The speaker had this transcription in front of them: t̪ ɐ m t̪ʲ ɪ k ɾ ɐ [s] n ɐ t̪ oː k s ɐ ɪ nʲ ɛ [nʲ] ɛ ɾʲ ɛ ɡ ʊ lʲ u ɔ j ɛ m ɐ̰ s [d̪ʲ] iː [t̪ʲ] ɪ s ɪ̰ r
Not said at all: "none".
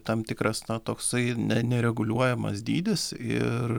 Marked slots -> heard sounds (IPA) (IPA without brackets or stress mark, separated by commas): s, nʲ, d̪ʲ, d̪ʲ